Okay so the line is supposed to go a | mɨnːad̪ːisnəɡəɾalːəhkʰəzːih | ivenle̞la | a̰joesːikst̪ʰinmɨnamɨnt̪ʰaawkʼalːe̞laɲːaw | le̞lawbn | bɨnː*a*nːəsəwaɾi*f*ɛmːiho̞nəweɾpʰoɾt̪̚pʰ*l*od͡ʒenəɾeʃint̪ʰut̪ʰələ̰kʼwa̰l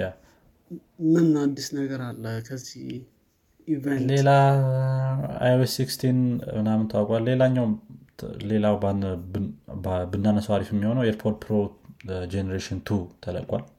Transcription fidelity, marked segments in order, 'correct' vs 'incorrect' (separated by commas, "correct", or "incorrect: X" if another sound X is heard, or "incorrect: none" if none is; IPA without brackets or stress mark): correct, correct, incorrect: ɾ